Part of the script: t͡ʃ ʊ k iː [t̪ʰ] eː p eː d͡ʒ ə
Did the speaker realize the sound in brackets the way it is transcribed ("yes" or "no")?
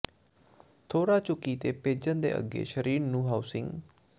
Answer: no